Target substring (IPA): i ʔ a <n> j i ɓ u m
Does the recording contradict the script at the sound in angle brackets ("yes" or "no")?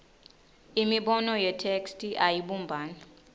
yes